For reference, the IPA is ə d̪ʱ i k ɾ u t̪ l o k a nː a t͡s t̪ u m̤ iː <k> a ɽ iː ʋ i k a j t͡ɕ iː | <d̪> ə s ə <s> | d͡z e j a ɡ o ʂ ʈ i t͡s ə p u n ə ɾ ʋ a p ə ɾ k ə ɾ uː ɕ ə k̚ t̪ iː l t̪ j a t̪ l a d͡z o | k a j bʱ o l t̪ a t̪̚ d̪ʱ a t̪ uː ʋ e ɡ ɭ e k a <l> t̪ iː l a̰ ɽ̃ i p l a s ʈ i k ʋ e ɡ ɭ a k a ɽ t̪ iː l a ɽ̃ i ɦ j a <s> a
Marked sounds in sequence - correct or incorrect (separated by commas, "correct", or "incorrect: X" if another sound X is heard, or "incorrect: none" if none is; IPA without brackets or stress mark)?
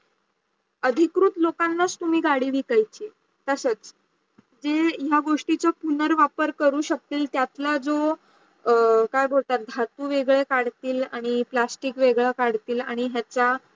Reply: incorrect: ɡ, incorrect: t̪, incorrect: t͡s, incorrect: ɽ, incorrect: t͡s